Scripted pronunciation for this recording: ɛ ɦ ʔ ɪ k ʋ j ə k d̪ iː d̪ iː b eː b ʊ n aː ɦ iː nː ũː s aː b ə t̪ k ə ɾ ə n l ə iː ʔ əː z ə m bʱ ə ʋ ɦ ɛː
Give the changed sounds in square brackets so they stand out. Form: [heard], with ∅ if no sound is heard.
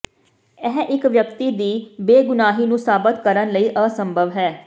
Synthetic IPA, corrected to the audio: ɛ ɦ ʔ ɪ k ʋ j ə k [t̪] iː d̪ iː b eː [ɡ] ʊ n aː ɦ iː [n] ũː s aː b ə t̪ k ə ɾ ə n l ə iː ʔ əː [s] ə m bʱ ə ʋ ɦ ɛː